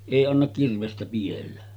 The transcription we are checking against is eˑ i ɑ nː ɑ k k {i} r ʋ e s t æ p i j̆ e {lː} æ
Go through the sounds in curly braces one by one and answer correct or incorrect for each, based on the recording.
correct, correct

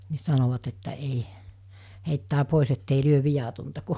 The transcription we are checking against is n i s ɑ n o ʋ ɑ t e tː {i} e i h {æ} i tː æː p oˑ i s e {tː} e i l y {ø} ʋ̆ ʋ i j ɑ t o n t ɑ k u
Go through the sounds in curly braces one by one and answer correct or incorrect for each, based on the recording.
incorrect, incorrect, correct, correct

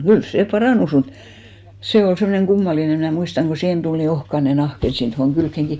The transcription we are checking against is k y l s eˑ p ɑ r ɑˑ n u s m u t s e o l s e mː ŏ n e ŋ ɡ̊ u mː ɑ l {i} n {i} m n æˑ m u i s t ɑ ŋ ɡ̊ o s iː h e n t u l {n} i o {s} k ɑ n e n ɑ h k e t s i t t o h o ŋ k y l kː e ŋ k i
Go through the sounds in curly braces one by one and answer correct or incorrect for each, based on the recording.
correct, incorrect, correct, incorrect

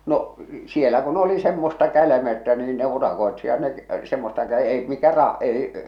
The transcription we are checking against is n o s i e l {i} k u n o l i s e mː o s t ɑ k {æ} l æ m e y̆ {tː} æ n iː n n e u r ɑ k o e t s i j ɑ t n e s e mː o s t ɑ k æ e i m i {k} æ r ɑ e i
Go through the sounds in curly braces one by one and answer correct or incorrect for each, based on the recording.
incorrect, correct, correct, correct

